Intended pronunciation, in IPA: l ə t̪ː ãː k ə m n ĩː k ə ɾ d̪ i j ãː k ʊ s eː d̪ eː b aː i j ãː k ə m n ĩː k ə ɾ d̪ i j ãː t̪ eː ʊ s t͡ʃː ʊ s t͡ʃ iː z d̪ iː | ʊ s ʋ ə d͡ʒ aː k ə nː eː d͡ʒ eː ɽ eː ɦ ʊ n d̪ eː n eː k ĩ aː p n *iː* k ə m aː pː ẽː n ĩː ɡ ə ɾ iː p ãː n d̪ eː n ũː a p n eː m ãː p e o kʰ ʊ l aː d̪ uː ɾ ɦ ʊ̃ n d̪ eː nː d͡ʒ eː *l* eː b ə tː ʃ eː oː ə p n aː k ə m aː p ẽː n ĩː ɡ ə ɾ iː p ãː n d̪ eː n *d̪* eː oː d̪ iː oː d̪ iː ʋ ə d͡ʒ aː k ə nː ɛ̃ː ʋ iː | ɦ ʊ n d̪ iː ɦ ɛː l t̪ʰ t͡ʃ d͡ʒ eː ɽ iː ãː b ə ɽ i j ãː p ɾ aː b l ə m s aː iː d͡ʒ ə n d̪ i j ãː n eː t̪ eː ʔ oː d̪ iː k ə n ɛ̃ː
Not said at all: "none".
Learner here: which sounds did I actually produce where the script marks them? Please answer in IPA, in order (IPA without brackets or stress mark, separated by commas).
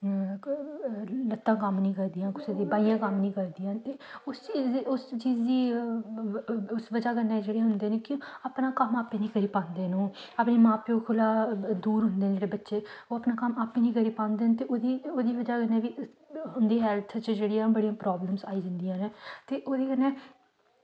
aː, ɽ, t̪